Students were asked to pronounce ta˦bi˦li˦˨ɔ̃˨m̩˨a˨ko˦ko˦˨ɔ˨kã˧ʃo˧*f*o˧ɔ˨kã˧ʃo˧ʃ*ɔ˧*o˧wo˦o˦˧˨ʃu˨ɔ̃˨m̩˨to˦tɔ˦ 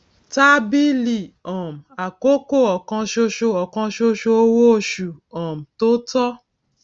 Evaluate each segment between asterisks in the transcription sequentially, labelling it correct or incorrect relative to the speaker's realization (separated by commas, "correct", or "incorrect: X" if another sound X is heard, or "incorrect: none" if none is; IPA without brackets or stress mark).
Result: incorrect: ʃ, incorrect: o˧